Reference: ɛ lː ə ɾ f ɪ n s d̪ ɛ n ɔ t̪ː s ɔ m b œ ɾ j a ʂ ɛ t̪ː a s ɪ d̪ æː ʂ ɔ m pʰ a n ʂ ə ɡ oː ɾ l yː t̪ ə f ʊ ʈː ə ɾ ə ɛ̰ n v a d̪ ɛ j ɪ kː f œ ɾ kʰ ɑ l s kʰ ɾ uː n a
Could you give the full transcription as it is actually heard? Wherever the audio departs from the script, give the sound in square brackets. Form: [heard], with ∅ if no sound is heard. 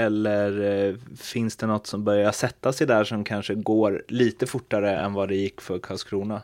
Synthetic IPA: ɛ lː ə ɾ f ɪ n s d̪ ɛ n ɔ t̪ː s ɔ m b œ ɾ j a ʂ ɛ t̪ː a s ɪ d̪ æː ʂ ɔ m [kʰ] a n ʂ ə ɡ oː ɾ l [iː] t̪ ə f ʊ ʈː [a] ɾ ə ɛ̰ n v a d̪ ɛ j ɪ kː f œ ɾ kʰ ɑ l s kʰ ɾ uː n a